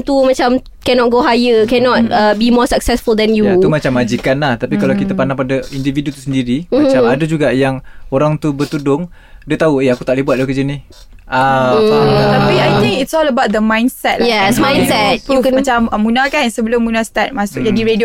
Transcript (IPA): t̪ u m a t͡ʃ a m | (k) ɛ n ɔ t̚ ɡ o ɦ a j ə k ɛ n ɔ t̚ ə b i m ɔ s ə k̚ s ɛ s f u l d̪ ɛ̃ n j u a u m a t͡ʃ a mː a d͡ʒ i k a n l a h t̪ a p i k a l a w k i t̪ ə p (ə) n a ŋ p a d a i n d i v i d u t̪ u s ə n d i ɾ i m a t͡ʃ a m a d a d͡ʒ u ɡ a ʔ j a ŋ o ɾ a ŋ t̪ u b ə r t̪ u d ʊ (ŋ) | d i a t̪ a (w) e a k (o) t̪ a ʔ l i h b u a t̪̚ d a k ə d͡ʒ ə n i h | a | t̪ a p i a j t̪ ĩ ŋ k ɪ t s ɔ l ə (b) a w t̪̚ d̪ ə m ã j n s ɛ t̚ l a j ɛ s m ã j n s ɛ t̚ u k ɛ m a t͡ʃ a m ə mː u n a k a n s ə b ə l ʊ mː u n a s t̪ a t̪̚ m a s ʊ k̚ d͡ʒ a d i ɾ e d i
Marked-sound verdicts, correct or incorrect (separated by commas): correct, incorrect, correct, incorrect, incorrect, correct